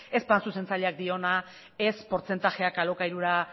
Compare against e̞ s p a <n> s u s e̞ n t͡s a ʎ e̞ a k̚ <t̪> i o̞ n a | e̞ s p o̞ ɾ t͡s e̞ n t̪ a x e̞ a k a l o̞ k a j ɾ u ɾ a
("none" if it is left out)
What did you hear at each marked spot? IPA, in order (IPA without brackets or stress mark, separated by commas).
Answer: n, d̪